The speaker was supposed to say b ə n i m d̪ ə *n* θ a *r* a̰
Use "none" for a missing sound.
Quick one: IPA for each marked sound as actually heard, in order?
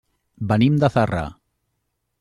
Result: none, r

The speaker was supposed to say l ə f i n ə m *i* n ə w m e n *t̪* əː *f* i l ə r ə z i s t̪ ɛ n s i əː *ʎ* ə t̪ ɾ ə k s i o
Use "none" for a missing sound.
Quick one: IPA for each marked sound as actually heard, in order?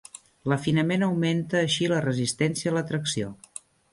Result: e, t̪, ʃ, l

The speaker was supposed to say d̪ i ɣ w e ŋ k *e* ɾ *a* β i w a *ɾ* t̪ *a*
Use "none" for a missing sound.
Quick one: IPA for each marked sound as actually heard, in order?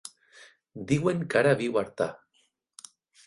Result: a, a, ɾ, a

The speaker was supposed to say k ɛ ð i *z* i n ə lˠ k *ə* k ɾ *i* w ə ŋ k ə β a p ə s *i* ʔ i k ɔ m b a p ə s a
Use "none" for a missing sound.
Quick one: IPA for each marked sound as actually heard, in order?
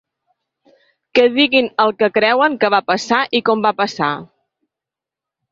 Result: ɣ, ə, ɛ, a

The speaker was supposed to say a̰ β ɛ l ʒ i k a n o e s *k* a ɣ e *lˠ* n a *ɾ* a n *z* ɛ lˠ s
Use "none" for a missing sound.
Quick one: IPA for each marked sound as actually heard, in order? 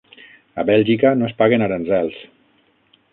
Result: p, none, ɾ, z

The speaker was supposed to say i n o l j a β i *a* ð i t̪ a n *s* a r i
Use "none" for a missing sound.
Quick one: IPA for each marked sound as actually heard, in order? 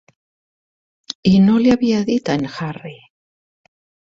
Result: a, x

